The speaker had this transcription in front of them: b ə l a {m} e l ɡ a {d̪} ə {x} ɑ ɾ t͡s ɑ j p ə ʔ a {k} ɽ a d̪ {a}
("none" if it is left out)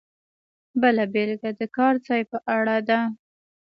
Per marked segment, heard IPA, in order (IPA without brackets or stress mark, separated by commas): b, d̪, k, none, a